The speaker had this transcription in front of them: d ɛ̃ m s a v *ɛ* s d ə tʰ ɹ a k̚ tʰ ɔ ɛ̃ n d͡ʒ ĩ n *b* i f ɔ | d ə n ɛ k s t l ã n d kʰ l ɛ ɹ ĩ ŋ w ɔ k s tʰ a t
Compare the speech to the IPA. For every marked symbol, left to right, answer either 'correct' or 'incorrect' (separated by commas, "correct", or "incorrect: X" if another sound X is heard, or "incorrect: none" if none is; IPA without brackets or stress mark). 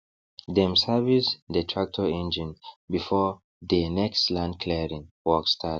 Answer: incorrect: i, correct